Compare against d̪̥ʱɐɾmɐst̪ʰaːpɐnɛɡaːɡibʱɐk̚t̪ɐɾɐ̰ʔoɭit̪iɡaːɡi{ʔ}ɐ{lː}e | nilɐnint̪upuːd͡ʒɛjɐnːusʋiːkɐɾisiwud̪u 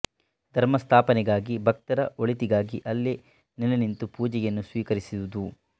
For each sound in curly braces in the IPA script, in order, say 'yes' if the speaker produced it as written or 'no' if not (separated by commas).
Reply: yes, yes